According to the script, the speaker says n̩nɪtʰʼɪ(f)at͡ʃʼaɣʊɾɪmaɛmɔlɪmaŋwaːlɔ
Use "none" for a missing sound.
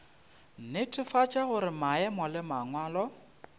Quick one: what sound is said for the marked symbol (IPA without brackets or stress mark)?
f